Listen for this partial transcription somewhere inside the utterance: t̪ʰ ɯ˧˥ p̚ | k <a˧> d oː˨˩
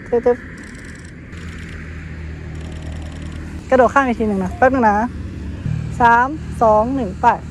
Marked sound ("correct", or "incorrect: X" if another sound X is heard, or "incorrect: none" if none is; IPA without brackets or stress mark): correct